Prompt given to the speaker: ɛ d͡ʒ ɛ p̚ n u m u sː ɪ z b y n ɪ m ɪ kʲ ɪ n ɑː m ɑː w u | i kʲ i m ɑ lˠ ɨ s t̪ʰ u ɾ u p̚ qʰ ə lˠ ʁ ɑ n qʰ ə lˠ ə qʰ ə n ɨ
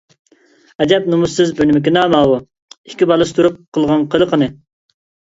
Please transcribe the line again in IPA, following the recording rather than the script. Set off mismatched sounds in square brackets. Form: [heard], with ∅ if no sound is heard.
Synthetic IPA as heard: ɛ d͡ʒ ɛ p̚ n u m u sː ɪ z b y n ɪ m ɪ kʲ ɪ n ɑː m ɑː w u | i kʲ i [b] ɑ lˠ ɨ s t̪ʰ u ɾ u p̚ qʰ ə lˠ ʁ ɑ n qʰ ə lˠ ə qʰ ə n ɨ